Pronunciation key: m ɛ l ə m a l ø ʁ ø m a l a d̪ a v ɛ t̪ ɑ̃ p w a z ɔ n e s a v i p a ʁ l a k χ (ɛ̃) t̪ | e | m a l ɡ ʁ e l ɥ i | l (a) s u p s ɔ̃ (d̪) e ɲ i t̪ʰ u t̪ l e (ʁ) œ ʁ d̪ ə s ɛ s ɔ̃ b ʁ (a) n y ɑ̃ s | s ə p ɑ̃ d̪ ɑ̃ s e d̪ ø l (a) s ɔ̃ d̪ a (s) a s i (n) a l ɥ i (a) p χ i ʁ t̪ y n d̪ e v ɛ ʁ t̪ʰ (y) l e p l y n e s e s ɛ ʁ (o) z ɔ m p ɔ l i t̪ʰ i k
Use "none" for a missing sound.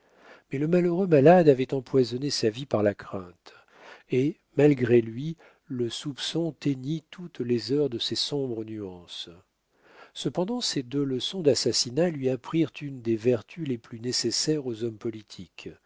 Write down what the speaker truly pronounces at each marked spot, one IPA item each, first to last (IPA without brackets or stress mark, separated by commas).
ɛ̃, ə, t̪, z, ə, ə, s, n, a, y, o